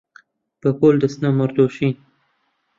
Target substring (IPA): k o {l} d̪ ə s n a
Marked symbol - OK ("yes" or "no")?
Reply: yes